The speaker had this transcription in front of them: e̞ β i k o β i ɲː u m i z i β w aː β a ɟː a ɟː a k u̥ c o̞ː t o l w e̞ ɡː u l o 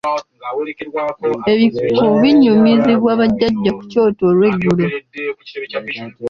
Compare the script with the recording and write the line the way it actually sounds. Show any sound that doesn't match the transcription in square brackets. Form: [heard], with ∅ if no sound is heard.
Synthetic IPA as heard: e̞ β i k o β i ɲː u m i z i β w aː β a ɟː a ɟː a k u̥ c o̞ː t o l w e̞ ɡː u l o